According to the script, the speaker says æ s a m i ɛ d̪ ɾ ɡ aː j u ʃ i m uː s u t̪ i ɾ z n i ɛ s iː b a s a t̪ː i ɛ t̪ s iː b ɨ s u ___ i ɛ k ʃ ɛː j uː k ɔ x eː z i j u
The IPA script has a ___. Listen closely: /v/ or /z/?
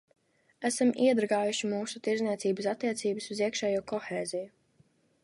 z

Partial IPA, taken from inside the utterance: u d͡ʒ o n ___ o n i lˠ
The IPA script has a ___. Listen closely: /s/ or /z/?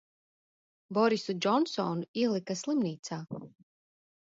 s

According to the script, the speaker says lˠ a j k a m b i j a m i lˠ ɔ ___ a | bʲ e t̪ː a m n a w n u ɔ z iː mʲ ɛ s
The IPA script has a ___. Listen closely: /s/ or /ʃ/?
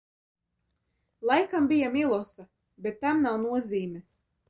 s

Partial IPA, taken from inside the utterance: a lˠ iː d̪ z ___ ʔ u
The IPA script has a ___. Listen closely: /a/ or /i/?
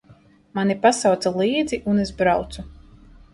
i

